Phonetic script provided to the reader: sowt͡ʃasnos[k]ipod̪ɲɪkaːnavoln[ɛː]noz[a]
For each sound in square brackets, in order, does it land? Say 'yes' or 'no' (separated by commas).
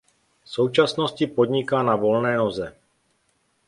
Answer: no, yes, no